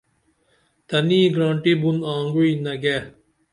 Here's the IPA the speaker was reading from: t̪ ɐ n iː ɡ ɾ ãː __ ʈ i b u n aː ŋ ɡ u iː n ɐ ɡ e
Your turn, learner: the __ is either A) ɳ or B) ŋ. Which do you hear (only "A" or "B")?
A